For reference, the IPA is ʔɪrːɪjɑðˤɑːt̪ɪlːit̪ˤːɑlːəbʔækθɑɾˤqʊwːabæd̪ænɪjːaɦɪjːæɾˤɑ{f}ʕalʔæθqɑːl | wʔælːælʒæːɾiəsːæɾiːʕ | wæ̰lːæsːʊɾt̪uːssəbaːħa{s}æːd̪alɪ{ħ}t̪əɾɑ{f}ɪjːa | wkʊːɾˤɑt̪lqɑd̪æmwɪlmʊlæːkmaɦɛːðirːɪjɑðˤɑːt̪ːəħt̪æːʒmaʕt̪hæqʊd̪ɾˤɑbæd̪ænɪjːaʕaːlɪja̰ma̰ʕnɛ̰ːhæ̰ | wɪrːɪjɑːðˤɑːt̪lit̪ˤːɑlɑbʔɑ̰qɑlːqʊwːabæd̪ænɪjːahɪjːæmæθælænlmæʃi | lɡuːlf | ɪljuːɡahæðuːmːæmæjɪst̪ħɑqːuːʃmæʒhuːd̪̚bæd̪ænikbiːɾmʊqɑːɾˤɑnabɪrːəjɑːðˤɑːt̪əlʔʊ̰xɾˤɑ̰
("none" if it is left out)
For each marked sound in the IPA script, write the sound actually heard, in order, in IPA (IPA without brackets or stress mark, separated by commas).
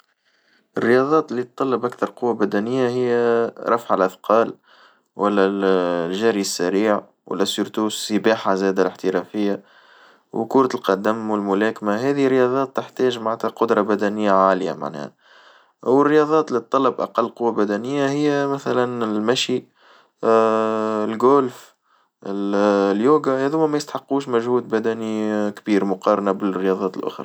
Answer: f, z, ħ, f